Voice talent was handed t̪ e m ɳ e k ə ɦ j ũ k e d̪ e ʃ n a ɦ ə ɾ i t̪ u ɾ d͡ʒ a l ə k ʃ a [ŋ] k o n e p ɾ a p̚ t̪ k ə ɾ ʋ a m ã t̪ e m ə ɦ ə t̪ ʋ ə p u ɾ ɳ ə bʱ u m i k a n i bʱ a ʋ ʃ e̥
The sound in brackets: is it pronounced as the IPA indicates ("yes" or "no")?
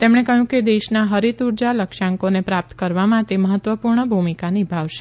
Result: yes